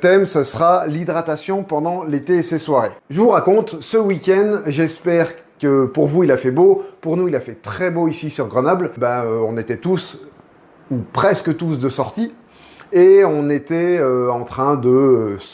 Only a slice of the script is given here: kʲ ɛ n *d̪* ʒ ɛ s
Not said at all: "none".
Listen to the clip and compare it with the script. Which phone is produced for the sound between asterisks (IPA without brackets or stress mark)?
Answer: d̪